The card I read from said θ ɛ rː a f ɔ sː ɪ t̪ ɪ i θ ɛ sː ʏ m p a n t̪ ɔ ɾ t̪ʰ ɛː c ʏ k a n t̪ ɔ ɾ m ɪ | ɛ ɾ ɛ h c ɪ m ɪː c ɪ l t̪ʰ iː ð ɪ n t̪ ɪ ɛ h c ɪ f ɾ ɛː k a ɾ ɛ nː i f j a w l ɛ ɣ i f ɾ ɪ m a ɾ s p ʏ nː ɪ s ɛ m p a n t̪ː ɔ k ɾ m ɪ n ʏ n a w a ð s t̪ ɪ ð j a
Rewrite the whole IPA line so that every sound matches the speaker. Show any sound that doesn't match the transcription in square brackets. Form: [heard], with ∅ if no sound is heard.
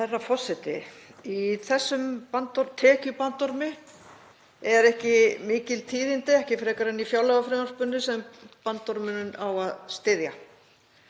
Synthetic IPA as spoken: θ ɛ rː a f ɔ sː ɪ t̪ ɪ i θ ɛ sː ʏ m p a n t̪ ɔ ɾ t̪ʰ ɛː c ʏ [p] a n t̪ ɔ ɾ m ɪ | ɛ ɾ ɛ h c ɪ m ɪː c ɪ l t̪ʰ iː ð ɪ n t̪ ɪ ɛ h c ɪ f ɾ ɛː k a ɾ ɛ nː i f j a w l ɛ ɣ [a] f ɾ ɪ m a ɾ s p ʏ nː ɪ s ɛ m p a n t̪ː ɔ [∅] ɾ m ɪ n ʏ n a w a ð s t̪ ɪ ð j a

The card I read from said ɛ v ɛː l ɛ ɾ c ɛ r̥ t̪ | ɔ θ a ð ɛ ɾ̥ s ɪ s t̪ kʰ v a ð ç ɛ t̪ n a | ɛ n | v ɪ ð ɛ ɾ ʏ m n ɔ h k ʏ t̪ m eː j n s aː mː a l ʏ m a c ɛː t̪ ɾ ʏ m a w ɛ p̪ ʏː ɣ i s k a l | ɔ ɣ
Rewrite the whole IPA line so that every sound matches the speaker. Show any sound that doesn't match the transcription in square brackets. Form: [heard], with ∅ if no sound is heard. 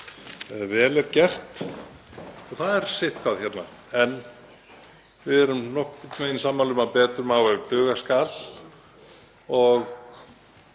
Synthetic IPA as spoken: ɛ v ɛː l ɛ ɾ c ɛ r̥ t̪ | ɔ θ a ð ɛ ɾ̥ s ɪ [h] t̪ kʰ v a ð ç ɛ t̪ n a | ɛ n | v ɪ ð ɛ ɾ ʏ m n ɔ h k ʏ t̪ m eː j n s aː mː a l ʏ m a [p] ɛː t̪ ɾ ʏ m a w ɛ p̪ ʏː ɣ [a] s k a l | ɔ ɣ

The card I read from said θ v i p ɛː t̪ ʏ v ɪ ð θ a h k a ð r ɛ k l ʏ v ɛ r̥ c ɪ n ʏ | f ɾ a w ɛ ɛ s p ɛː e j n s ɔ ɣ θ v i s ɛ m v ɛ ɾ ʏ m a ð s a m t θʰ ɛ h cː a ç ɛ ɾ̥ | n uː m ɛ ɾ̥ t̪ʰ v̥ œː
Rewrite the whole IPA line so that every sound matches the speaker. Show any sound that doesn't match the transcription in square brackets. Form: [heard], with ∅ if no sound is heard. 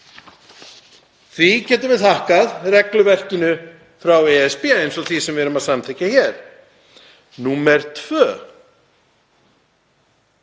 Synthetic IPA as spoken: θ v i [c] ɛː t̪ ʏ v ɪ ð θ a h k a ð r ɛ k l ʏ v ɛ r̥ c ɪ n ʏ | f ɾ a w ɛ ɛ s p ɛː e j n s ɔ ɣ θ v i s ɛ m v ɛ ɾ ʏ m a ð s a m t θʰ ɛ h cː a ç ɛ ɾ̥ | n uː m ɛ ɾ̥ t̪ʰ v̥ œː

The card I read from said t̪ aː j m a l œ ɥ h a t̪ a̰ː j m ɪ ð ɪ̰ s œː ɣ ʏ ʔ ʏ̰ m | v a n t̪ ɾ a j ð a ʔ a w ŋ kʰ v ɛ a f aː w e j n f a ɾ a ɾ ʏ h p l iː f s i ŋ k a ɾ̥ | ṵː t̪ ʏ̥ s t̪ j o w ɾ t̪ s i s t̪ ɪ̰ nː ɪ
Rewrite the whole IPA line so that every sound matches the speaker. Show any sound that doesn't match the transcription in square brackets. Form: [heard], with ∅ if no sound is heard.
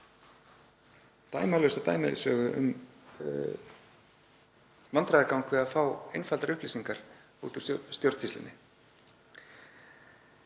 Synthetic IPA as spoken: t̪ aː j m a l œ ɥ [s] a t̪ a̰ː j m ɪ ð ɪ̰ s œː ɣ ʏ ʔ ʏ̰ m | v a n t̪ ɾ a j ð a [k] a w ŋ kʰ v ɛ a f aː w e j n f a [l] a ɾ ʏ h p l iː [∅] s i ŋ k a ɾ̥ | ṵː t̪ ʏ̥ s t̪ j o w ɾ t̪ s i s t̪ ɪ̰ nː ɪ

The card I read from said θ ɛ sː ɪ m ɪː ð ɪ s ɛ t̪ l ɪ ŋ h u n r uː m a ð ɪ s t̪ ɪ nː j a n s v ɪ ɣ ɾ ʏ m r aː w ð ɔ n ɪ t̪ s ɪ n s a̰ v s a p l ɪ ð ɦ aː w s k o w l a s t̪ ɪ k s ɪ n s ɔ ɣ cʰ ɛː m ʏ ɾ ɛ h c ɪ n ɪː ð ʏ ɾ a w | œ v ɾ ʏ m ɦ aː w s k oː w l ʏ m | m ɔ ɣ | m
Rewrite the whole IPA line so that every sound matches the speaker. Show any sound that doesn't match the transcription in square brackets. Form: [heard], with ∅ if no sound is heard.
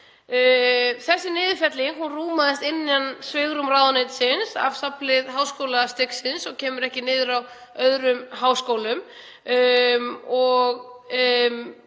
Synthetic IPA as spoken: θ ɛ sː ɪ [n] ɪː ð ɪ [f] ɛ t̪ l ɪ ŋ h u n r uː m a ð ɪ s t̪ ɪ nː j a n s v ɪ ɣ ɾ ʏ m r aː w ð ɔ n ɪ t̪ s ɪ n s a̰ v s a p l ɪ ð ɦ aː w s k o w l a s t̪ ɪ k s ɪ n s ɔ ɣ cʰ ɛː m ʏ ɾ ɛ h c ɪ n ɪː ð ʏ ɾ a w | œ [ð] ɾ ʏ m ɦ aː w s k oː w l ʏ m | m ɔ ɣ | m

